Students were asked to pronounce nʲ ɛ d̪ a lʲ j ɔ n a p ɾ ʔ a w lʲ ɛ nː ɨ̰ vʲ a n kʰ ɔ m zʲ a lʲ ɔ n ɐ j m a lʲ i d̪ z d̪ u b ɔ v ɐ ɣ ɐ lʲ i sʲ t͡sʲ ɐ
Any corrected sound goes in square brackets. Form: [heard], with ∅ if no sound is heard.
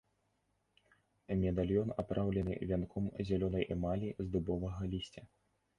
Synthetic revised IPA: [mʲ] ɛ d̪ a lʲ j ɔ n a p ɾ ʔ a w lʲ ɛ [n] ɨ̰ vʲ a n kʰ ɔ m zʲ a lʲ ɔ n ɐ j m a lʲ i [∅] z d̪ u b ɔ v ɐ ɣ ɐ lʲ i sʲ t͡sʲ ɐ